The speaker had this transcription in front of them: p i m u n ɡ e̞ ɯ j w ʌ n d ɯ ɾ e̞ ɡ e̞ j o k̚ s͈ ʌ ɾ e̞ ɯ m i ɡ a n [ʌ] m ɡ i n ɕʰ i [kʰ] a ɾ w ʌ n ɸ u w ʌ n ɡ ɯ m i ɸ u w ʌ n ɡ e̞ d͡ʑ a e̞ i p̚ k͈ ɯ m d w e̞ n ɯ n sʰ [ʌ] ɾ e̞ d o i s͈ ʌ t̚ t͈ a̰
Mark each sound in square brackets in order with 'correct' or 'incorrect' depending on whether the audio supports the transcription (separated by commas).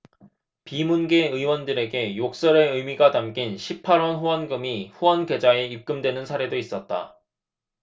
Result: incorrect, incorrect, incorrect